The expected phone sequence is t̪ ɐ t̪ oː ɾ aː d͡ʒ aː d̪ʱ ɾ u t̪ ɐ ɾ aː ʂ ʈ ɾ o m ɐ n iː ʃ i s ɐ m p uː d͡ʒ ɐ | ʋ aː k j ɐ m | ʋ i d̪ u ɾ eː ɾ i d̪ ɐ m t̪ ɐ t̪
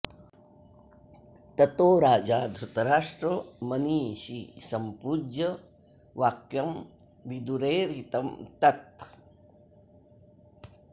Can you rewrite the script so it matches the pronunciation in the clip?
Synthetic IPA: t̪ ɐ t̪ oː ɾ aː d͡ʒ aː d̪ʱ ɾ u t̪ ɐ ɾ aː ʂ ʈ ɾ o m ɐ n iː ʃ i s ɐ m p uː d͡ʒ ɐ | ʋ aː k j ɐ m | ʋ i d̪ u ɾ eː ɾ i t̪ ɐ m t̪ ɐ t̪